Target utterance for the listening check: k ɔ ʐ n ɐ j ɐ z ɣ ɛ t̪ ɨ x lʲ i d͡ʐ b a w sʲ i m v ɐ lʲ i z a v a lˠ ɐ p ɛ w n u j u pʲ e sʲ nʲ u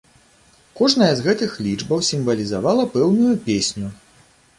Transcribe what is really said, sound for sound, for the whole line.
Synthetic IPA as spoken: k ɔ ʐ n ɐ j ɐ z ɣ ɛ t̪ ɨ x lʲ i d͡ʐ b ɐ w sʲ i m v ɐ lʲ i z a v a lˠ ɐ p ɛ w n u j u pʲ e sʲ nʲ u